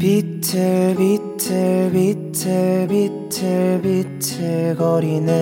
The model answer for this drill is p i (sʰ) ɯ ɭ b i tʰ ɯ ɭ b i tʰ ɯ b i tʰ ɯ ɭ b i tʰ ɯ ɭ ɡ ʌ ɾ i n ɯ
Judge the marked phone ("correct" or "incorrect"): incorrect